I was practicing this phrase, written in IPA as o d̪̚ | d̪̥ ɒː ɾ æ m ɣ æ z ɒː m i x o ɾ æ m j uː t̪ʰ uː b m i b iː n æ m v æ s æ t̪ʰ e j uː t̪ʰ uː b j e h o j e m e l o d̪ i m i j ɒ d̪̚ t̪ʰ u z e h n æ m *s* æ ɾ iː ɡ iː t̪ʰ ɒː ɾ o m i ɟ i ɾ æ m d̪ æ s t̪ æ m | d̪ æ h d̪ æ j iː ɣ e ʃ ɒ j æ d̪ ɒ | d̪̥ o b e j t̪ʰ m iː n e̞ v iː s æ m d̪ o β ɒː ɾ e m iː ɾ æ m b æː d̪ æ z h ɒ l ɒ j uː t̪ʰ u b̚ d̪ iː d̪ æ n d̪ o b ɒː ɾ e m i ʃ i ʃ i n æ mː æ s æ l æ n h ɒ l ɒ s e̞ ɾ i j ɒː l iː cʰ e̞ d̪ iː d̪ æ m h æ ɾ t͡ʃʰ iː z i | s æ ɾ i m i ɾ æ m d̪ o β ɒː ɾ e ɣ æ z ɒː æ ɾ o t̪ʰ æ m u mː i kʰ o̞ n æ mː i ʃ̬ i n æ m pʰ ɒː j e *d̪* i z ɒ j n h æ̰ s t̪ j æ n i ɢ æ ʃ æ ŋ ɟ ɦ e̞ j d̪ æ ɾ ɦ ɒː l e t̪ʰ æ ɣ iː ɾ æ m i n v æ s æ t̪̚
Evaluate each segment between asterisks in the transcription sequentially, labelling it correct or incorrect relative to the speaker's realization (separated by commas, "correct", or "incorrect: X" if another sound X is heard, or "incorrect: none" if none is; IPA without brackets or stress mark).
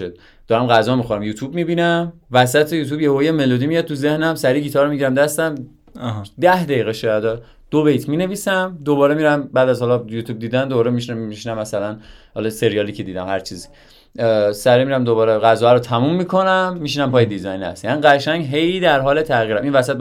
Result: correct, correct